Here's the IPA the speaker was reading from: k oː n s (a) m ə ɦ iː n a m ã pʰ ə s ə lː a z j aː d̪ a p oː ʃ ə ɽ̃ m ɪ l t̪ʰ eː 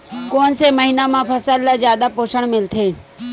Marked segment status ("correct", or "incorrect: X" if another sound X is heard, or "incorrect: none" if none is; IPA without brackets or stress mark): incorrect: e